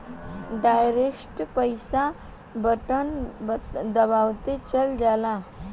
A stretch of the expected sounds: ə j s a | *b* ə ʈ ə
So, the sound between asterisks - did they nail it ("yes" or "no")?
yes